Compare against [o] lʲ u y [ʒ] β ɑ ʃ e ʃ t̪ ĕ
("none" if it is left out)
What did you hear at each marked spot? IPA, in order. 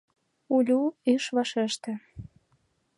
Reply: u, ʃ

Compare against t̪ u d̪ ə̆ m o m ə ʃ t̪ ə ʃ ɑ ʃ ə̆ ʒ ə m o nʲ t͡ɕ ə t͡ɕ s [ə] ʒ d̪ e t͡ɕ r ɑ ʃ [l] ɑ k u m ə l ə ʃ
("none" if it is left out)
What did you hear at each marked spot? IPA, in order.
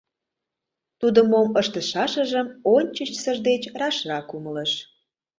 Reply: ə, r

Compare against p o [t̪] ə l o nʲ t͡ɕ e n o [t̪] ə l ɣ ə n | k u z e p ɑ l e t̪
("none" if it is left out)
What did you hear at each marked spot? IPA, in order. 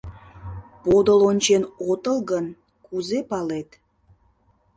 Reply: d̪, t̪

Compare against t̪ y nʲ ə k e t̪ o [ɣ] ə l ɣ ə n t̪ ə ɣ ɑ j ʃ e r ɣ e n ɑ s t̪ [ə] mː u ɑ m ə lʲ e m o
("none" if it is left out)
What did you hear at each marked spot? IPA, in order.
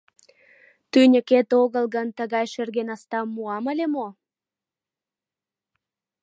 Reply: ɣ, ɑ

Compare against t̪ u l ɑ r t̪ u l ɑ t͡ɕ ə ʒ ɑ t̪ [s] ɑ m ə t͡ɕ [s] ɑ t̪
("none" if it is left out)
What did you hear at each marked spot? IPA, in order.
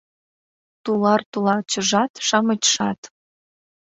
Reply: ʃ, ʃ

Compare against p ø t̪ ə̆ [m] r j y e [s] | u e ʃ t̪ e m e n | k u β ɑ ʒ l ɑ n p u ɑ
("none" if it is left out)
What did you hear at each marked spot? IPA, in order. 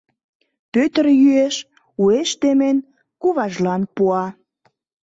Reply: none, ʃ

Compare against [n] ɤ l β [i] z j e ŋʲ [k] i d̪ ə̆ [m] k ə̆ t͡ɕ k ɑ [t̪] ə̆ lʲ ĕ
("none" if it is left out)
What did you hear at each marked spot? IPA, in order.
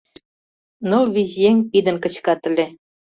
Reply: n, i, p, n, t̪

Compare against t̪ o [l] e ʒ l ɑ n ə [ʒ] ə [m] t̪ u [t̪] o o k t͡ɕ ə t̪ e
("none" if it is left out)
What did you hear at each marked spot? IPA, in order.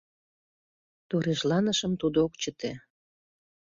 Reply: ɾ, ʃ, m, d̪

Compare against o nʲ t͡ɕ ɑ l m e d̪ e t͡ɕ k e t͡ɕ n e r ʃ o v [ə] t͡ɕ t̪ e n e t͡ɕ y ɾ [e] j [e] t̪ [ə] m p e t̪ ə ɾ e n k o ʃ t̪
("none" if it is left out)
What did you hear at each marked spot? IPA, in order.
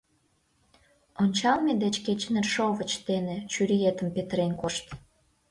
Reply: ə, i, e, ə

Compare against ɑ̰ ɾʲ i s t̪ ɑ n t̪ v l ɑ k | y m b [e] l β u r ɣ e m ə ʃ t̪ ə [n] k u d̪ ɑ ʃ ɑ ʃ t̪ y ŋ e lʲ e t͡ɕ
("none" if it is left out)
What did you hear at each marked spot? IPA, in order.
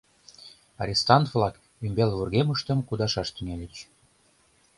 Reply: e, m

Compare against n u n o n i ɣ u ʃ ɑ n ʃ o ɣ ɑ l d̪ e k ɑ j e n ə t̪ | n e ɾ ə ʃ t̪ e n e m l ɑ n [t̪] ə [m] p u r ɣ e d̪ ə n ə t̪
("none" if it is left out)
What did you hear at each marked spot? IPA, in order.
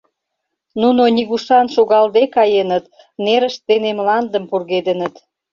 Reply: d̪, m

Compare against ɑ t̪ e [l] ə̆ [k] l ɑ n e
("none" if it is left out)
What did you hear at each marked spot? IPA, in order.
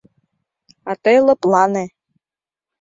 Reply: l, p

